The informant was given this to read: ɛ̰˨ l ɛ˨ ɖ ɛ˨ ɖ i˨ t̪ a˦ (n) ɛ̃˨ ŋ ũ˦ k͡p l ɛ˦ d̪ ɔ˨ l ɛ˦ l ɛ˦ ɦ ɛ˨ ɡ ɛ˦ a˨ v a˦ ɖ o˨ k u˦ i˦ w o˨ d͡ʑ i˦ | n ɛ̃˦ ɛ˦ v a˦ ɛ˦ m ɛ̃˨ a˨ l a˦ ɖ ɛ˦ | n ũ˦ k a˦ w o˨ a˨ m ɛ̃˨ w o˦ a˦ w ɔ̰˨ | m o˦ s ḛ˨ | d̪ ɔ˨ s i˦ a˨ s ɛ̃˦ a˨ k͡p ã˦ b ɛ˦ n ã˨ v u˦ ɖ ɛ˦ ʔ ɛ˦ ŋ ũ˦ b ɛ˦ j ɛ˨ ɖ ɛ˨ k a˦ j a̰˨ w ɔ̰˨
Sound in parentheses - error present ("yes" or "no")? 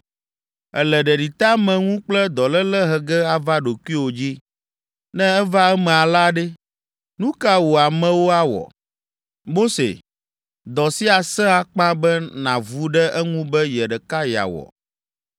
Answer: yes